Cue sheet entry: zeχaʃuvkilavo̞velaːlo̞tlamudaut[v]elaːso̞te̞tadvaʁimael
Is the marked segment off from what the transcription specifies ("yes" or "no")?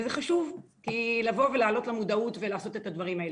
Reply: no